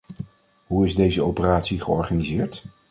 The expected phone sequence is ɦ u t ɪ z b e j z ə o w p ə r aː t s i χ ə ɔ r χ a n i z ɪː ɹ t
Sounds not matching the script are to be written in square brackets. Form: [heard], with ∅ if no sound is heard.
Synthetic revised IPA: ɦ u [∅] ɪ z [d] e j z ə o w p ə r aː t s i χ ə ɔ [ɹ] χ a n i z ɪː ɹ t